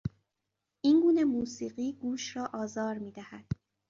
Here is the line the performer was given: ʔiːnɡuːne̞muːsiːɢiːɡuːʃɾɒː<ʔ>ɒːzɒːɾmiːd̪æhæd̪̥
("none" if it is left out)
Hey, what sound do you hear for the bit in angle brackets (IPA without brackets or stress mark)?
ʔ